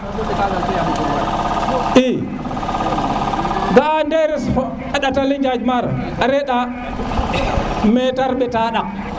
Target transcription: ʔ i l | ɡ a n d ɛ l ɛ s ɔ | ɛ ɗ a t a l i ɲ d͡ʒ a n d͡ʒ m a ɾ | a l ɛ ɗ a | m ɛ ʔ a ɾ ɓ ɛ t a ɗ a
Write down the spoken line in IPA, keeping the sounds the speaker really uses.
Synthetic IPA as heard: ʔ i | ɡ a n d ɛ ɾ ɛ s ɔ | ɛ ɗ a t a l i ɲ d͡ʒ a d͡ʒ m a ɾ | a ɾ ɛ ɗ a | m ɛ t a ɾ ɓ ɛ t a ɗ a